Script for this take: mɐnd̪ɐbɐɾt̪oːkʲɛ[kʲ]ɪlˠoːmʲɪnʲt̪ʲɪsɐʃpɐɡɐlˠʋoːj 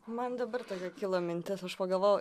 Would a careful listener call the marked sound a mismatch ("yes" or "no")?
no